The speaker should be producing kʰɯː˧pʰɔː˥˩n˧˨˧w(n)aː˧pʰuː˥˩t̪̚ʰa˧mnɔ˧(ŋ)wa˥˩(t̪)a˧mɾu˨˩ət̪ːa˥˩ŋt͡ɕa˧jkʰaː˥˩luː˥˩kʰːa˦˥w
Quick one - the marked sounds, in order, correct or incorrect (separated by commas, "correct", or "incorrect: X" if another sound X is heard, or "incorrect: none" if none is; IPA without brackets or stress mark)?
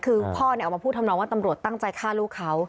incorrect: m, correct, correct